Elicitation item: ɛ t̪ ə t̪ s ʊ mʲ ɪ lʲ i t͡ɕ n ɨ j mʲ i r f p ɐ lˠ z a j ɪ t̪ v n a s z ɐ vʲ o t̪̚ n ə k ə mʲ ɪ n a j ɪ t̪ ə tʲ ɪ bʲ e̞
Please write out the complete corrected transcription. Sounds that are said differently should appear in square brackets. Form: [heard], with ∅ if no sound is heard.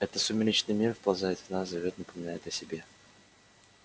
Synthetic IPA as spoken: ɛ t̪ ə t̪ s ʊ mʲ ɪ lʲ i t͡ɕ n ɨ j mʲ i r f p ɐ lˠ z a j ɪ t̪ v n a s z ɐ vʲ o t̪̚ n ə [p] ə mʲ ɪ n a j ɪ t̪ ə [sʲ] ɪ bʲ e̞